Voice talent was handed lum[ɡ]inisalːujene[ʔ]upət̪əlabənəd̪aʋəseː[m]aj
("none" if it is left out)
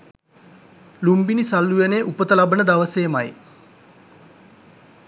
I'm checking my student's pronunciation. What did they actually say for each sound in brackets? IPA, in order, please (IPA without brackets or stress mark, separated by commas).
b, ʔ, m